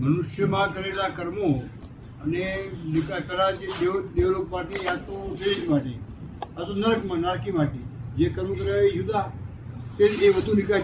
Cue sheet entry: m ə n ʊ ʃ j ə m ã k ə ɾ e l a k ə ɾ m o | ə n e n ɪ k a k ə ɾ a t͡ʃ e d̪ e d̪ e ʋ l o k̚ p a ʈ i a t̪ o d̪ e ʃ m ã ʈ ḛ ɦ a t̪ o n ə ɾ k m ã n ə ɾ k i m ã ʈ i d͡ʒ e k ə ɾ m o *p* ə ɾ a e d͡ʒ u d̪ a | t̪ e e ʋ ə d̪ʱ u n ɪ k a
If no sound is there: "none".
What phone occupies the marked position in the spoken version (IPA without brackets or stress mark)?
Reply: k